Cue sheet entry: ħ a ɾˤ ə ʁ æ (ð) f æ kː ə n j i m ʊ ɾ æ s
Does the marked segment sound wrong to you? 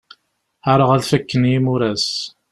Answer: no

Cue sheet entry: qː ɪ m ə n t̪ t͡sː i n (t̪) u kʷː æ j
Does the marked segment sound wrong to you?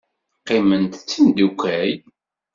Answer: yes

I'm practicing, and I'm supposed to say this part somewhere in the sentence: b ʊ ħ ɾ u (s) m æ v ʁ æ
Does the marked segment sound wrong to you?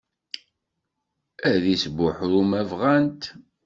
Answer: yes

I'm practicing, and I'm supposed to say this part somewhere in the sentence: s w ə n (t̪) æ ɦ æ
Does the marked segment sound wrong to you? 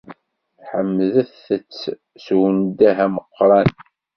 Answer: yes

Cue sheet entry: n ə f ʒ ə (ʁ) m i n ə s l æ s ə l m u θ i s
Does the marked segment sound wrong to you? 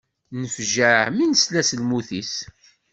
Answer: yes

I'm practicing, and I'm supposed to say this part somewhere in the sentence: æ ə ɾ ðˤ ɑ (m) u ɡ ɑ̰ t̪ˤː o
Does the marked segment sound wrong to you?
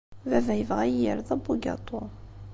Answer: yes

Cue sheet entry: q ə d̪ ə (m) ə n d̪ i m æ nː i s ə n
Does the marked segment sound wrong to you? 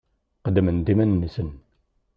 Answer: no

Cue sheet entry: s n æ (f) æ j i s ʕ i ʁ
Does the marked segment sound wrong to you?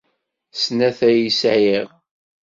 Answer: yes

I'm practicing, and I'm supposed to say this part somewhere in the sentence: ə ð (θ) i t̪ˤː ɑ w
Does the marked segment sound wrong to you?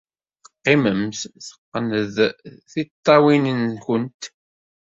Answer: no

